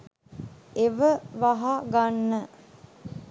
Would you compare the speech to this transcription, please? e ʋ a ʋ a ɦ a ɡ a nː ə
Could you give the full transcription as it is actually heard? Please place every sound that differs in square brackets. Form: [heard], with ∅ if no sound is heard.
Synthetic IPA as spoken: e ʋ [ə] ʋ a ɦ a ɡ a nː ə